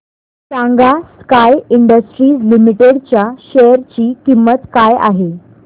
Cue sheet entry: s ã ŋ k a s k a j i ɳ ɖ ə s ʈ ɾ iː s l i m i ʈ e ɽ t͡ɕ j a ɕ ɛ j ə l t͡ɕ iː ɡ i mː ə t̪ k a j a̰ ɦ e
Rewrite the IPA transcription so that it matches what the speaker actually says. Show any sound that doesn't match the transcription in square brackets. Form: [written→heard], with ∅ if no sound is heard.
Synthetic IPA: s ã ŋ [k→ɡ] a s k a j i ɳ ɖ ə s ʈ ɾ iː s l i m i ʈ e ɽ t͡ɕ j a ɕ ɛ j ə [l→ɾ] t͡ɕ iː [ɡ→k] i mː ə t̪ k a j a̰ ɦ e